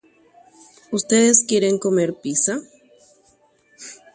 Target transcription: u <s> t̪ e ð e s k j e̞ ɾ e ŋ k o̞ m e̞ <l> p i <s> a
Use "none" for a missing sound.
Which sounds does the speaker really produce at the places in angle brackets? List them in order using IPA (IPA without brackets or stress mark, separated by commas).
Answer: s, ɾ, s